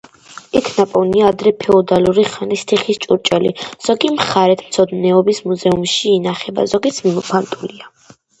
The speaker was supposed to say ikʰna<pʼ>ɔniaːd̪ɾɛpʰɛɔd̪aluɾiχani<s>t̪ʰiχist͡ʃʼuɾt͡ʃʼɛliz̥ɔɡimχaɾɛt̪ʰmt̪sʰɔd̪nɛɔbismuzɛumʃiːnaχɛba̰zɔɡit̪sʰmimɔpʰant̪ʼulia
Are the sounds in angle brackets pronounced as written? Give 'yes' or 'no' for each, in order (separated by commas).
yes, yes